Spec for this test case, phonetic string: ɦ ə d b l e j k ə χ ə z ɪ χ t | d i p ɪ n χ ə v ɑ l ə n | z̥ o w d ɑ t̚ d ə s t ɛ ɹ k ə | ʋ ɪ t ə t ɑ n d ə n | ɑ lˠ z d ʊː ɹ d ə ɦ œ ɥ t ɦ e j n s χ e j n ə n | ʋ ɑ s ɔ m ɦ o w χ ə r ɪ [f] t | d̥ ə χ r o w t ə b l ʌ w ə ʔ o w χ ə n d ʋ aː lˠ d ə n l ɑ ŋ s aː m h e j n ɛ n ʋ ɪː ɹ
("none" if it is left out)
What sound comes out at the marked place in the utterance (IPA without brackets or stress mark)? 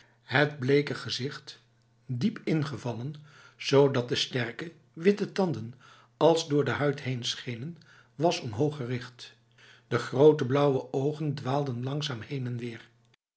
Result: χ